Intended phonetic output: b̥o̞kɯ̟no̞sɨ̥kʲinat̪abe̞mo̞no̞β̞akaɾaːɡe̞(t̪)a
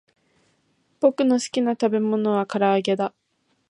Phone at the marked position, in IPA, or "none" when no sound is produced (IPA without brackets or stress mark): d̪